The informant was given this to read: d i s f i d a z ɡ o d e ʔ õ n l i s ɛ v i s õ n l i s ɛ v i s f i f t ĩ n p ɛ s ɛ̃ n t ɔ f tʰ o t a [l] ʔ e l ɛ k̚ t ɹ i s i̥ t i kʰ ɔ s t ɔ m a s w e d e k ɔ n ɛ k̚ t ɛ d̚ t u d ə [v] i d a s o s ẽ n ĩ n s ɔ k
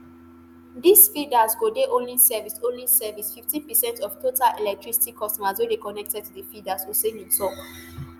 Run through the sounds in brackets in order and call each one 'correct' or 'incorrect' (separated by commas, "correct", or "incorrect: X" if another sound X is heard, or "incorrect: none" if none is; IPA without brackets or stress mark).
correct, incorrect: f